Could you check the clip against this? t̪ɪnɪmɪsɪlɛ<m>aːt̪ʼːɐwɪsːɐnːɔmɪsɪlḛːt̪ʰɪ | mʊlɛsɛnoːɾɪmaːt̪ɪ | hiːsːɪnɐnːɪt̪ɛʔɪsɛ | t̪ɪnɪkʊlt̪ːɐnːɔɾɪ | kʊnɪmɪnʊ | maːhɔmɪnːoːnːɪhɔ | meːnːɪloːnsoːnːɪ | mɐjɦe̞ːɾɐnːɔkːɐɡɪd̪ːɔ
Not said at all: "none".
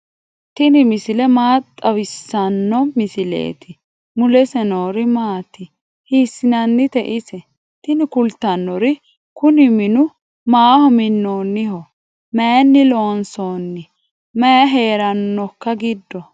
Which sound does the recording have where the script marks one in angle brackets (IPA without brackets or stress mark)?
m